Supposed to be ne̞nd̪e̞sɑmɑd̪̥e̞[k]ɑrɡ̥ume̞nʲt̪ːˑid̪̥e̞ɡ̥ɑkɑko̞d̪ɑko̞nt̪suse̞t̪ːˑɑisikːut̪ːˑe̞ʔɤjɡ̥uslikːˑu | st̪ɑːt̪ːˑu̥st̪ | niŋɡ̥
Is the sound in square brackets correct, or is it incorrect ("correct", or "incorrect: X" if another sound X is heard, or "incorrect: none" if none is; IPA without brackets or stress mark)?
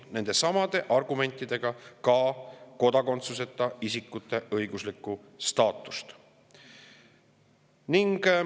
incorrect: ʔ